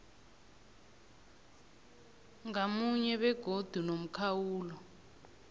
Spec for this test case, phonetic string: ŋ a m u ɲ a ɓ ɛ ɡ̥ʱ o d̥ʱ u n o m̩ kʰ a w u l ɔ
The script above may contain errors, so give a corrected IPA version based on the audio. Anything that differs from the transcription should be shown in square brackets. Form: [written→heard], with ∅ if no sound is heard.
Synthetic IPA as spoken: ŋ a m u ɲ [a→ɛ] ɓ ɛ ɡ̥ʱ o d̥ʱ u n o m̩ kʰ a w [u→uː] l ɔ

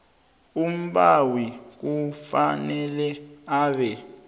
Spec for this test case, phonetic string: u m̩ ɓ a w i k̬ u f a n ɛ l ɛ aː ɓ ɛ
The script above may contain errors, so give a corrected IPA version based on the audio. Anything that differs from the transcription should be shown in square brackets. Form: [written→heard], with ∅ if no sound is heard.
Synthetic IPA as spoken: u m̩ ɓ a w i k̬ u f a n ɛ l ɛ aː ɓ ɛ

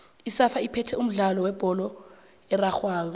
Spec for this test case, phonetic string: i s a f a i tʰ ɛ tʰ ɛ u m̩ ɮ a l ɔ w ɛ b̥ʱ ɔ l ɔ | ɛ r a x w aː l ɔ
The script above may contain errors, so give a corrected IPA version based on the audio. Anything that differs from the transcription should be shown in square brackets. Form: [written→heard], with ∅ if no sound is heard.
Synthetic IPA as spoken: i s a f a i [tʰ→pʰ] ɛ tʰ ɛ u m̩ ɮ a l ɔ w ɛ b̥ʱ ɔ l ɔ | ɛ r a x w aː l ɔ

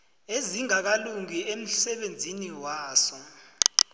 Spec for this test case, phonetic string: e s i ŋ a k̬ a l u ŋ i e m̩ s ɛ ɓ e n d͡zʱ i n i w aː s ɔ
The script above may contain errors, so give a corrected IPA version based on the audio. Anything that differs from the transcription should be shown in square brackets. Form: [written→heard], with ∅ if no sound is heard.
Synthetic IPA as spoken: e [s→z] i ŋ a k̬ a l u ŋ i e m̩ s ɛ ɓ e n d͡zʱ i n i w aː s ɔ

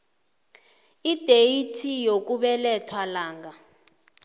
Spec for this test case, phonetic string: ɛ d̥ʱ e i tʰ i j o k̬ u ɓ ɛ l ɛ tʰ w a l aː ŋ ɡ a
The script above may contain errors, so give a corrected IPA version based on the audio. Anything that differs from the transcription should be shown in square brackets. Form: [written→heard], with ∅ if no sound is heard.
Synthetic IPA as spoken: [ɛ→i] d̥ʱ e i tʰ i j o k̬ u ɓ ɛ l ɛ tʰ w a l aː ŋ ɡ a

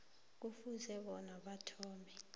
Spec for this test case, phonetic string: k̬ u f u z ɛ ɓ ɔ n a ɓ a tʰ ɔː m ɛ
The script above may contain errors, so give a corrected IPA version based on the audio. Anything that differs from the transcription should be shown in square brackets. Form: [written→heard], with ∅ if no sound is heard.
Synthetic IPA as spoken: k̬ u f u z ɛ ɓ ɔ n a ɓ a tʰ ɔː m ɛ

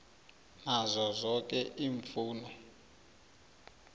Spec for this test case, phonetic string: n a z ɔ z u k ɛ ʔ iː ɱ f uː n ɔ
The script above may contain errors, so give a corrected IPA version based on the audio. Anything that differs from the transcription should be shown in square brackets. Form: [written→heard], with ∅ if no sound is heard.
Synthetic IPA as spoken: n a z ɔ z [u→ɔ] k ɛ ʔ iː ɱ f uː n ɔ

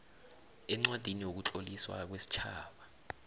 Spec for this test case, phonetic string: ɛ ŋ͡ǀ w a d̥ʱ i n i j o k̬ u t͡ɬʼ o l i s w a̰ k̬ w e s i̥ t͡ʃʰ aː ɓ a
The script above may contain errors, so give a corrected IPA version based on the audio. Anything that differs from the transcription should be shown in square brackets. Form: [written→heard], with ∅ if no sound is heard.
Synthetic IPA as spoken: ɛ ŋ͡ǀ w a d̥ʱ i n i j o k̬ u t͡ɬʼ o l i s w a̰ k̬ w e s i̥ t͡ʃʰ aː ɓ a

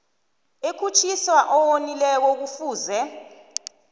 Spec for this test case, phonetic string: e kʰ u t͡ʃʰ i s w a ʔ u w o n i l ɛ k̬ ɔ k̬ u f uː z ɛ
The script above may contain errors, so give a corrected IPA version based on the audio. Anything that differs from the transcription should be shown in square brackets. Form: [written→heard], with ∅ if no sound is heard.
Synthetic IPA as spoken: e kʰ u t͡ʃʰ i s w a ʔ [u→ɔ] w o n i l ɛ k̬ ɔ k̬ u f uː z ɛ

